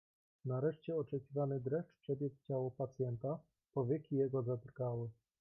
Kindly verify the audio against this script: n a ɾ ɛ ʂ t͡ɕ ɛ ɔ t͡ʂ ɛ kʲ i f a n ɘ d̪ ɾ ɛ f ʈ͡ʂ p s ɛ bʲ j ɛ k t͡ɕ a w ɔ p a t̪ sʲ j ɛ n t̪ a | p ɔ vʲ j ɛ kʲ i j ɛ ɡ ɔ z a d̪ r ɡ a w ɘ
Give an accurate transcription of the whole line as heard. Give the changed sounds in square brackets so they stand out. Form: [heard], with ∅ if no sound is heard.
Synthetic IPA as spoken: n a ɾ ɛ ʂ t͡ɕ ɛ ɔ t͡ʂ ɛ kʲ i [v] a n ɘ d̪ ɾ ɛ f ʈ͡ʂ p [ʂ] ɛ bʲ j ɛ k t͡ɕ a w ɔ p a t̪ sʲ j ɛ n t̪ a | p ɔ vʲ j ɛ kʲ i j ɛ ɡ ɔ z a d̪ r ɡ a w ɘ